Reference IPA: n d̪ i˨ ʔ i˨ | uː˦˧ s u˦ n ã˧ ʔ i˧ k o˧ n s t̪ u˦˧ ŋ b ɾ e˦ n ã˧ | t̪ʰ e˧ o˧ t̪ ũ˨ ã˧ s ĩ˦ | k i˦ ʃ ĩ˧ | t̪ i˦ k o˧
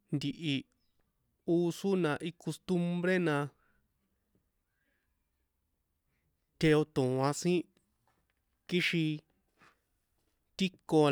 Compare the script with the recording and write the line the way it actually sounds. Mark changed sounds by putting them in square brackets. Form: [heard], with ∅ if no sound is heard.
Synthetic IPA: n d̪ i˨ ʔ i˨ | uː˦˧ s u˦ n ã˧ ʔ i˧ k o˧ [∅] s t̪ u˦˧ [m] b ɾ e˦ n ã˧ | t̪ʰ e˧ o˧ t̪ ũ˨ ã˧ s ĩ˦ | k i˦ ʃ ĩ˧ | t̪ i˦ k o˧